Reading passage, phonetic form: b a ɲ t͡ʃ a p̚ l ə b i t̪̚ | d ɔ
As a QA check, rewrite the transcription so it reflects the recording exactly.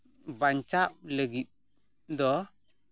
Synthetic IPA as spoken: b a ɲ t͡ʃ a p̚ l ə ɡ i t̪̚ | d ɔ

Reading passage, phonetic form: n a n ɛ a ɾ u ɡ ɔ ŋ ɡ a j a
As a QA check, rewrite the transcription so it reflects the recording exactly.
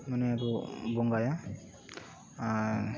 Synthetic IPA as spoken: m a n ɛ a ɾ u b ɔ ŋ ɡ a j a

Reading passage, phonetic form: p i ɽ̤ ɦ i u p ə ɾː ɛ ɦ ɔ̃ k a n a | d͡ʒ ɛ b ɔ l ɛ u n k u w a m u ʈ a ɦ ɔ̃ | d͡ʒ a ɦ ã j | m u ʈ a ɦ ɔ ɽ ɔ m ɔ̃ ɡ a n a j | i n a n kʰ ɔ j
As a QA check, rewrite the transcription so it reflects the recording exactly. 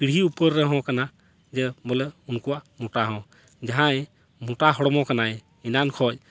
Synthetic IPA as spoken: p i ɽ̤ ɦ i u p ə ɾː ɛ ɦ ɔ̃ k a n a | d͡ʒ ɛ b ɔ l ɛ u n k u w a m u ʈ a ɦ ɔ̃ | d͡ʒ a ɦ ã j | m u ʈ a ɦ ɔ ɽ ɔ m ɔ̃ k a n a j | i n a n kʰ ɔ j

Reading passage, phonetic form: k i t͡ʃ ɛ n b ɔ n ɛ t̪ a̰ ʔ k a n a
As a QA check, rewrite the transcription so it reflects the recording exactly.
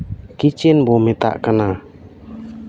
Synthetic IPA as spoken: k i t͡ʃ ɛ n b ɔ m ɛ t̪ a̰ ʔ k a n a

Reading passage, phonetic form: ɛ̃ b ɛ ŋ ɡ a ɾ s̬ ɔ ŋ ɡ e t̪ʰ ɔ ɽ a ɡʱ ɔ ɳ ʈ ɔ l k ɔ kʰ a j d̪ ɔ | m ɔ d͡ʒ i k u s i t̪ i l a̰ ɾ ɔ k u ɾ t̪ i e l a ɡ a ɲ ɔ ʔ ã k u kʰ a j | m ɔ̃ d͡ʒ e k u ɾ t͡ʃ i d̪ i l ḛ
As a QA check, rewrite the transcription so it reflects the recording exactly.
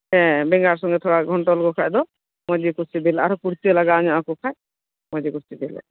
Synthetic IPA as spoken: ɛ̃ b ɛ ŋ ɡ a ɾ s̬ ɔ ŋ ɡ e t̪ʰ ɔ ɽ a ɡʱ ɔ ɳ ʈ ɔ l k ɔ kʰ a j d̪ ɔ | m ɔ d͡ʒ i k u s i d̪ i l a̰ ɾ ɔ k u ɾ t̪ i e l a ɡ a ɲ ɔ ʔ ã k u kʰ a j | m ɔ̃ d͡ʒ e k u ɾ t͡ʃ i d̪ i l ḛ

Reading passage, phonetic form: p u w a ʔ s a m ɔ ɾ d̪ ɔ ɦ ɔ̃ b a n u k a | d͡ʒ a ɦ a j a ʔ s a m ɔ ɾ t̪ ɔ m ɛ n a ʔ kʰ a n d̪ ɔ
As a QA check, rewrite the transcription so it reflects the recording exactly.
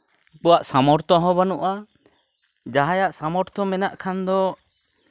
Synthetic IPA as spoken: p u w a ʔ s a m ɔ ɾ t̪ ɔ ɦ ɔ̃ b a n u ʔ a | d͡ʒ a ɦ a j a ʔ s a m ɔ ɾ t̪ ɔ m ɛ n a ʔ kʰ a n d̪ ɔ

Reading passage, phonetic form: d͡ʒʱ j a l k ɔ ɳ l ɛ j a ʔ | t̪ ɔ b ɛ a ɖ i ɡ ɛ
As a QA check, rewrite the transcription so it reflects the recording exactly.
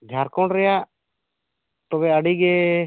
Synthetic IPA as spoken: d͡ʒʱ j a ɾ k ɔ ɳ ɾ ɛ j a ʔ | t̪ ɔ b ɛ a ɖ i ɡ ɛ

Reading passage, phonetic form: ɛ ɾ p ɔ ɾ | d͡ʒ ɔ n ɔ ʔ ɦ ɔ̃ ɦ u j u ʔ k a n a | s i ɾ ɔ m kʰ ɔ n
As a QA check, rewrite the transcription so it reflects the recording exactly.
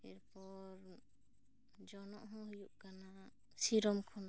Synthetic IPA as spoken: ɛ ɾ p ɔ ɾ | d͡ʒ ɔ n ɔ ʔ ɦ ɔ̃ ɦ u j u ʔ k a n a | s i ɾ ɔ m kʰ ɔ n

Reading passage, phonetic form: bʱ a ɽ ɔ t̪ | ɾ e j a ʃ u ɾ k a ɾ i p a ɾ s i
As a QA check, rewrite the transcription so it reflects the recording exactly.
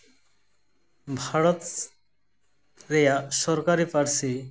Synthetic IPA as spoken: bʱ a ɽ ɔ t̪ | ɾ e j a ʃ ɔ ɾ k a ɾ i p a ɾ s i

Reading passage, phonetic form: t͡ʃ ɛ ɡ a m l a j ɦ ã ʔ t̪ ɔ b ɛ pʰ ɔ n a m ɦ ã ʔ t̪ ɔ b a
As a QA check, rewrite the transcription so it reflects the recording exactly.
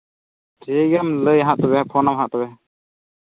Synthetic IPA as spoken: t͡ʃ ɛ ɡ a m l ə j ɦ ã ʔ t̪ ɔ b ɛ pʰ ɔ n a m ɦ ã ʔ t̪ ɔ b ɛ

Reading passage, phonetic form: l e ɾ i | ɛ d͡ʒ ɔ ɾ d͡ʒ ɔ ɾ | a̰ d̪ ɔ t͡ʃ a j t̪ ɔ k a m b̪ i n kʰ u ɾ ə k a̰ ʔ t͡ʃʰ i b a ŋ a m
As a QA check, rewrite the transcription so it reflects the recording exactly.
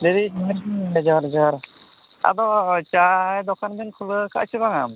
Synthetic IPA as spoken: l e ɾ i | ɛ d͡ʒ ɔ ɾ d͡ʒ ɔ ɾ | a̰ d̪ ɔ t͡ʃ a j d̪ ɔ k a n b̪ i n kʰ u l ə k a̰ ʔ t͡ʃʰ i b a ŋ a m

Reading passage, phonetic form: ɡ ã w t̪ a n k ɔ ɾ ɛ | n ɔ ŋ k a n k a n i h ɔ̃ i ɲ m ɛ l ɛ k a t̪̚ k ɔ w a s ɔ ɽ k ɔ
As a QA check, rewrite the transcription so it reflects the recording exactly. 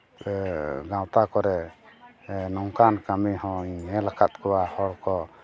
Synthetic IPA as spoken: ɡ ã w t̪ a k ɔ ɾ ɛ | n ɔ ŋ k a n k a m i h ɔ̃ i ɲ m ɛ l a k a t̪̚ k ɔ w a h ɔ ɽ k ɔ

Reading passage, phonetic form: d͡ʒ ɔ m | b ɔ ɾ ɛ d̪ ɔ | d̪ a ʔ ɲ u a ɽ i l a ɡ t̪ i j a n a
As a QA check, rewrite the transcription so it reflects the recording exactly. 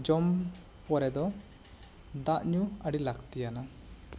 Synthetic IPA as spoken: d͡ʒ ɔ m | p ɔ ɾ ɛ d̪ ɔ | d̪ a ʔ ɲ u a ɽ i l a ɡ t̪ i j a n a

